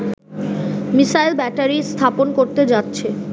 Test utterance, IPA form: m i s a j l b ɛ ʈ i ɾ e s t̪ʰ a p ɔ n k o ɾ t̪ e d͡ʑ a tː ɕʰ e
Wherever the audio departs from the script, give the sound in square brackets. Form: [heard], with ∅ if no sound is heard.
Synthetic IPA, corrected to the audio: m i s a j l b ɛ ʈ [a] ɾ [i] s t̪ʰ a p [o] n k o ɾ t̪ e d͡ʑ a tː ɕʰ e